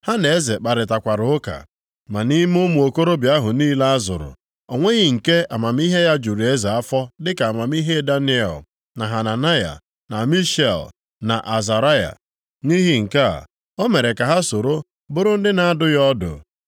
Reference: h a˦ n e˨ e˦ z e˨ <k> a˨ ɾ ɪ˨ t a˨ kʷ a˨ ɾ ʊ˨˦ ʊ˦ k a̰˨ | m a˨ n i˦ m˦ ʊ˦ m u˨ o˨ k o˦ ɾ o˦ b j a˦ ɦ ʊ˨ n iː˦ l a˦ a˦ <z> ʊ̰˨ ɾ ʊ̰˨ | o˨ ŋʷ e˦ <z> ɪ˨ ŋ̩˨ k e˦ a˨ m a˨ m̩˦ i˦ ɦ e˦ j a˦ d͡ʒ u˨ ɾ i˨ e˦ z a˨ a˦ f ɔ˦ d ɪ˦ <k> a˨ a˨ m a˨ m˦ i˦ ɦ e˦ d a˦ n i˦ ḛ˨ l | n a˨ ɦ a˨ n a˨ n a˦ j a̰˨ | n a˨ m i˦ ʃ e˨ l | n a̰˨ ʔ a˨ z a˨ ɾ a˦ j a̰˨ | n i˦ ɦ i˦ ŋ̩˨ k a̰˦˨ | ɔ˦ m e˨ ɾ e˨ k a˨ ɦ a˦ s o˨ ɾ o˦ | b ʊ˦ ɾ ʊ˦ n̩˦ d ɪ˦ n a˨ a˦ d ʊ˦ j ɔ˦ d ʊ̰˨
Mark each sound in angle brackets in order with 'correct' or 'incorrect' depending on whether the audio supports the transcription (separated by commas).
incorrect, correct, incorrect, correct